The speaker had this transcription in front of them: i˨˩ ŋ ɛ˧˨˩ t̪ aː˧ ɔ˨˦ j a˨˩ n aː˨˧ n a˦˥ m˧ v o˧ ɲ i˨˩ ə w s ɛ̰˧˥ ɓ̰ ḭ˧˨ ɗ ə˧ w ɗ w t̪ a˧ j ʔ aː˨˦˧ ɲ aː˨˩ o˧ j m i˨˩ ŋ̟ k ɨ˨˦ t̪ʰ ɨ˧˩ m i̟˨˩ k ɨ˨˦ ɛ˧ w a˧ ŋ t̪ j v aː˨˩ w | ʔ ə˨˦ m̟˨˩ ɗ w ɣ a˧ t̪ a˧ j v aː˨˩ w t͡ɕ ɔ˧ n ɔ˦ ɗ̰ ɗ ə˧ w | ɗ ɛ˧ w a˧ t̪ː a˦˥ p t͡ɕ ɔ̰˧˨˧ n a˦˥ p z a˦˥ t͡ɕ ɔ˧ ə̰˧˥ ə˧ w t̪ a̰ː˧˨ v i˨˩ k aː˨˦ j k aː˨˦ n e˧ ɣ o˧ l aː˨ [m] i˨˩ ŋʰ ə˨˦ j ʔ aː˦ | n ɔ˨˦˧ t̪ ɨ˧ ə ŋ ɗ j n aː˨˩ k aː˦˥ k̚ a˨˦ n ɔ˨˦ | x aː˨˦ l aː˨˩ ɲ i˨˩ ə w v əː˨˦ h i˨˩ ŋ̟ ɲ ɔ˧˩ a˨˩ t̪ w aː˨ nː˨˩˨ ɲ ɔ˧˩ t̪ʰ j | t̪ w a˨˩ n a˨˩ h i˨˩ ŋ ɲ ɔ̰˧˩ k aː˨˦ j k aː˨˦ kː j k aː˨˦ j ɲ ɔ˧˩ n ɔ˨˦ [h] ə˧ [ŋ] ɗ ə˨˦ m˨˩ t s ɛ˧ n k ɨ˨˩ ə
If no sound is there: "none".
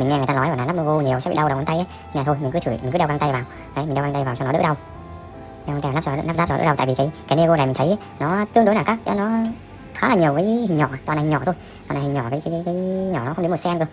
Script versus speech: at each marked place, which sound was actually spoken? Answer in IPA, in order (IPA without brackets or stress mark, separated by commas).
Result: m, x, ŋ͡m